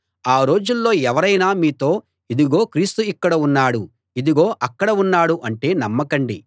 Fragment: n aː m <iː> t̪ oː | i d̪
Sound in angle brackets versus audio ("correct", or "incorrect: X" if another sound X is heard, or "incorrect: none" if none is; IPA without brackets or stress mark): correct